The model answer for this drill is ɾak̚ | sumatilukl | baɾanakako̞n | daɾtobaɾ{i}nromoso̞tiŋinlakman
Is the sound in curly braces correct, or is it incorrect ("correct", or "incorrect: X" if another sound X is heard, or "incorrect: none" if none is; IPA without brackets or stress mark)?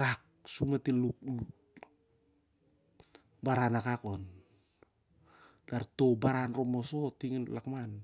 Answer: incorrect: a